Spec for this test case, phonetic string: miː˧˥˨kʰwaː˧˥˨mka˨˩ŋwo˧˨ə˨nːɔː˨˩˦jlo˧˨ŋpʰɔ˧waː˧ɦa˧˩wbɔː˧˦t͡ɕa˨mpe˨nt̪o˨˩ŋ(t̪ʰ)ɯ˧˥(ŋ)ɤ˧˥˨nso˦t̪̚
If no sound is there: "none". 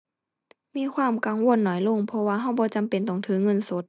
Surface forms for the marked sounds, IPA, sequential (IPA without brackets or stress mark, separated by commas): t̪ʰ, ŋ